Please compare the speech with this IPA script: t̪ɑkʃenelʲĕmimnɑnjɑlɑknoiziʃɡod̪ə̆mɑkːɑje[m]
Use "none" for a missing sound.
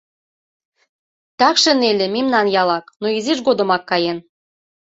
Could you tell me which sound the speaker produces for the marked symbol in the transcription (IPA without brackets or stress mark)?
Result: n